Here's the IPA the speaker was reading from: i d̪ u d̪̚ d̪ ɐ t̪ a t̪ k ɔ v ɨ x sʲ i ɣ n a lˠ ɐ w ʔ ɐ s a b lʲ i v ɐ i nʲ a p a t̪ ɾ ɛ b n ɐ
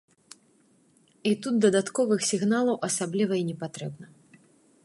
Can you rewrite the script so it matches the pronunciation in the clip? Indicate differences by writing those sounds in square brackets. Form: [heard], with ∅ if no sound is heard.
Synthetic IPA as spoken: i [t̪] u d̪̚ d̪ ɐ [d̪] a t̪ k ɔ v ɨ x sʲ i ɣ n a lˠ ɐ w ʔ ɐ s a b lʲ i v ɐ i nʲ [ɛ] p a t̪ ɾ ɛ b n ɐ